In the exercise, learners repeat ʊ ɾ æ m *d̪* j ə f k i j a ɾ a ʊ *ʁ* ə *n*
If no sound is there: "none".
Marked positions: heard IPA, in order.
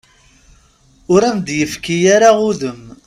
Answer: d̪, ð, m

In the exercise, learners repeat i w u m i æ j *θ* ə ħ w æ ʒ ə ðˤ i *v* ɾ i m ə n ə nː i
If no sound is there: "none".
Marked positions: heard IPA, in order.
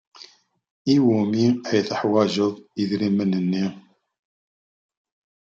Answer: θ, ð

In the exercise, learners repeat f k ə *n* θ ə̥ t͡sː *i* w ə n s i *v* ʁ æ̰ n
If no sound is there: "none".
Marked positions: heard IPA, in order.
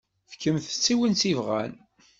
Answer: m, i, v

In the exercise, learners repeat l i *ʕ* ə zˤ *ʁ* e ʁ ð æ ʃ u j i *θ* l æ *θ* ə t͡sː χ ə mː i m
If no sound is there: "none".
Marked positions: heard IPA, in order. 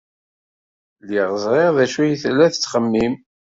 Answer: ʁ, ʁ, θ, θ

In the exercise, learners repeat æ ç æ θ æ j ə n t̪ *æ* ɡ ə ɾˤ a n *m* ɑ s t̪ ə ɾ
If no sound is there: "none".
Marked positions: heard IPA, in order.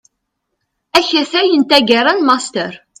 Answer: æ, m

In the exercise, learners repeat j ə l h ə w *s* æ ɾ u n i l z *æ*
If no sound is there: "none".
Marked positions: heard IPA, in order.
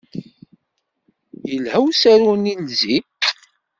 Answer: s, i

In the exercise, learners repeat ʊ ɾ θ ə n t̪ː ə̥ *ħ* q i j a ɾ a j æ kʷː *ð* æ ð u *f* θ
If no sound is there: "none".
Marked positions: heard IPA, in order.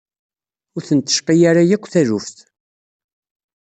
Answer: ʃ, θ, f

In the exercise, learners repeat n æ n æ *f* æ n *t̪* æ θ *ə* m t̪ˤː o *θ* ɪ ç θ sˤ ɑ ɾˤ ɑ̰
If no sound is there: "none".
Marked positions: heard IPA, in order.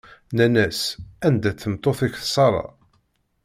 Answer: s, d̪, ə, θ

